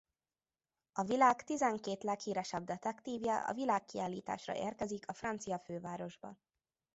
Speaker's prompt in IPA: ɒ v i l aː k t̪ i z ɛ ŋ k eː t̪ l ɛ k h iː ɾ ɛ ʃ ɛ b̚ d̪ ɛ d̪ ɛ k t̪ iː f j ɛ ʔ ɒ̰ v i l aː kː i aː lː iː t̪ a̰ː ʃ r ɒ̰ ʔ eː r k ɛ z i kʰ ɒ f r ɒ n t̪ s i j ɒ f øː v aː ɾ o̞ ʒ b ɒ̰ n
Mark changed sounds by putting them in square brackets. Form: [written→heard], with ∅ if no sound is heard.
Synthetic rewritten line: ɒ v i l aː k t̪ i z ɛ ŋ k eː t̪ l ɛ k h iː ɾ ɛ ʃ ɛ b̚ d̪ ɛ [d̪→t̪] ɛ k t̪ iː [f→v] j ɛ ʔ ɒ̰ v i l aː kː i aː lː iː t̪ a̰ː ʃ r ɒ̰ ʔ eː r k ɛ z i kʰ ɒ f r ɒ n t̪ s i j ɒ f øː v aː ɾ o̞ ʒ b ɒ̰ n

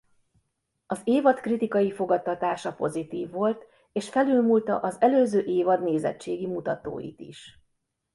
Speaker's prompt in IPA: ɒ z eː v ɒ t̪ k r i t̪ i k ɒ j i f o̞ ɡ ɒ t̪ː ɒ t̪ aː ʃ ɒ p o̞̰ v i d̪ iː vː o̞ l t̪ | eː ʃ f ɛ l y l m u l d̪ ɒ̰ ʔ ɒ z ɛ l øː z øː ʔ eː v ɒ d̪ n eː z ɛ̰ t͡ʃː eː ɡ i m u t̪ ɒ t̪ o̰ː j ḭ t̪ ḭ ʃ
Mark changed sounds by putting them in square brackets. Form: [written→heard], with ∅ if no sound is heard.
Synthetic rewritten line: ɒ z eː v ɒ t̪ k r i t̪ i k ɒ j i f o̞ ɡ ɒ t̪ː ɒ t̪ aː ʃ ɒ p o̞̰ [v→z] i [d̪→t̪] iː vː o̞ l t̪ | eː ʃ f ɛ l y l m u l [d̪→t̪] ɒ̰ ʔ ɒ z ɛ l øː z øː ʔ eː v ɒ d̪ n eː z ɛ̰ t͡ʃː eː ɡ i m u t̪ ɒ t̪ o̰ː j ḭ t̪ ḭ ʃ

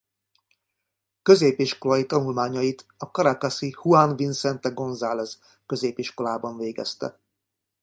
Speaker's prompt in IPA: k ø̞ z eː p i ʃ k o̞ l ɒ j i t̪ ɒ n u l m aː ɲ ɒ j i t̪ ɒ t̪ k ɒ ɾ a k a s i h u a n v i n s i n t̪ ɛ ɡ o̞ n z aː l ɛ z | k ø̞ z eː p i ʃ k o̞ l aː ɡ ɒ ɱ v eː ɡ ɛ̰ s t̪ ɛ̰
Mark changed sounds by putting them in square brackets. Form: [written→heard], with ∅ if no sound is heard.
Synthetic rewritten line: k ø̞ z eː p i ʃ k o̞ l ɒ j i t̪ ɒ n u l m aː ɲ ɒ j i t̪ ɒ [t̪→∅] k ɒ ɾ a k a s i h u a n v i n s [i→ɛ] n t̪ ɛ ɡ o̞ n z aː l ɛ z | k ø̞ z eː p i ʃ k o̞ l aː [ɡ→b] ɒ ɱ v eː ɡ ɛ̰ s t̪ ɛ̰

